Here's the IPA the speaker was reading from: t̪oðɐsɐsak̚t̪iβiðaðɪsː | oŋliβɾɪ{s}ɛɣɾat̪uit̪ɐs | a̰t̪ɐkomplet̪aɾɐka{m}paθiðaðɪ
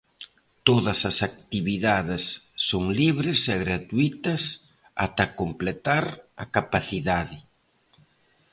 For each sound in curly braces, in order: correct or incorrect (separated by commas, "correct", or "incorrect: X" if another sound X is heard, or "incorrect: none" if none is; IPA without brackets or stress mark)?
correct, incorrect: none